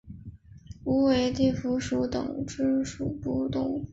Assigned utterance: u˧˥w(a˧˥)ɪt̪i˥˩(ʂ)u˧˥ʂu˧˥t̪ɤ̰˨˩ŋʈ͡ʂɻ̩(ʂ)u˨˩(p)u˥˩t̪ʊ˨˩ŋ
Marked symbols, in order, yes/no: no, no, yes, yes

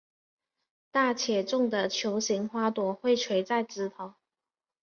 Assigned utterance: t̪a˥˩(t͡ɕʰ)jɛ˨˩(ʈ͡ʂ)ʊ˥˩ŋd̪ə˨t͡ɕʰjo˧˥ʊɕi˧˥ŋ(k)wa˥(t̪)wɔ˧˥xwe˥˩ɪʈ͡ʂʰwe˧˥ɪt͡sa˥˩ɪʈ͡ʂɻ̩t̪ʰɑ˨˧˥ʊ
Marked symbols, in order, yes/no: yes, yes, no, yes

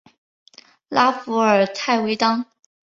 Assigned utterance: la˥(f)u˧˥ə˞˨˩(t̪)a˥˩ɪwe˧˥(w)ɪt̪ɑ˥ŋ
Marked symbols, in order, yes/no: yes, no, no

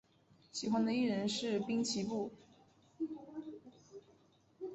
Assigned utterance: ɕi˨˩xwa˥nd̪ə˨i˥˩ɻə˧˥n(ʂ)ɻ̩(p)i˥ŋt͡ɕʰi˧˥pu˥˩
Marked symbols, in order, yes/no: yes, yes

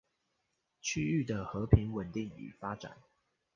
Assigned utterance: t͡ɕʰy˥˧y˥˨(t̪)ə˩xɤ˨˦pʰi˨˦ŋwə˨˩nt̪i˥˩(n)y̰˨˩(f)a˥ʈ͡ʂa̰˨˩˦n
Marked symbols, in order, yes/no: no, no, yes

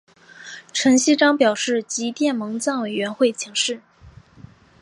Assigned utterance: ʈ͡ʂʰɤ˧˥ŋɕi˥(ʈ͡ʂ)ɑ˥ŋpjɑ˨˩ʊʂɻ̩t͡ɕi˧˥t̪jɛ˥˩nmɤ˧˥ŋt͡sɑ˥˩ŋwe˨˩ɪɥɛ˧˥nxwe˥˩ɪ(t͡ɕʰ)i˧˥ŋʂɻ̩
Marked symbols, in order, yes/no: yes, yes

